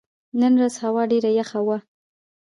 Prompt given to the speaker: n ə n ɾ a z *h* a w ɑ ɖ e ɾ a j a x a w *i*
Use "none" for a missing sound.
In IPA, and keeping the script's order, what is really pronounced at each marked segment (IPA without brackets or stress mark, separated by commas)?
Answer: h, a